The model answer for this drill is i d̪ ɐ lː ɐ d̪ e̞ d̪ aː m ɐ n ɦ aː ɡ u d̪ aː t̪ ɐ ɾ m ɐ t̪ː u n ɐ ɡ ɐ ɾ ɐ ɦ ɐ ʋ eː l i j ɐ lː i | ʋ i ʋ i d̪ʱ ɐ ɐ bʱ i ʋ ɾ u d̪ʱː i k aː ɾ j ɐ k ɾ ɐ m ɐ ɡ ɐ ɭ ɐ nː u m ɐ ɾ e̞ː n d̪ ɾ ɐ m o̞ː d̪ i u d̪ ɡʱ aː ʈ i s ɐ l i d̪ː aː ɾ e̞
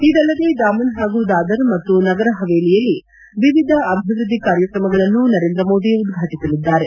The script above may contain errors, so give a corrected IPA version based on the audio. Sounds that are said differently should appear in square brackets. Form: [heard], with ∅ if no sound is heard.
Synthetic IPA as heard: i d̪ ɐ lː ɐ d̪ e̞ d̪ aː m ɐ n ɦ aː ɡ u d̪ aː [d̪] ɐ ɾ m ɐ t̪ː u n ɐ ɡ ɐ ɾ ɐ ɦ ɐ ʋ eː l i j ɐ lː i | ʋ i ʋ i d̪ʱ ɐ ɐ bʱ i ʋ ɾ u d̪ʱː i k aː ɾ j ɐ k ɾ ɐ m ɐ ɡ ɐ ɭ ɐ nː u [n] ɐ ɾ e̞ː n d̪ ɾ ɐ m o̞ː d̪ i u d̪ ɡʱ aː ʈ i s ɐ l i d̪ː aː ɾ e̞